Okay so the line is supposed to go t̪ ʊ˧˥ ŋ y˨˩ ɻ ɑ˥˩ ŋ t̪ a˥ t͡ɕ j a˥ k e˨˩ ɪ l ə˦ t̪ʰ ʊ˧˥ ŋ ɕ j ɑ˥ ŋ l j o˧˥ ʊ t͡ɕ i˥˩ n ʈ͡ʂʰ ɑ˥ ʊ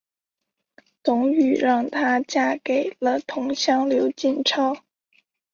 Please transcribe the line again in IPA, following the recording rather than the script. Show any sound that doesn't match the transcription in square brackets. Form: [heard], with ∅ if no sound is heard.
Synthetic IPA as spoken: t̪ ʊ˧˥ ŋ y˨˩ ɻ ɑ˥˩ ŋ [t̪ʰ] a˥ t͡ɕ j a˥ k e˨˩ ɪ l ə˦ t̪ʰ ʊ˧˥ ŋ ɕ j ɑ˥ ŋ l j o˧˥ ʊ t͡ɕ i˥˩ n ʈ͡ʂʰ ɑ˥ ʊ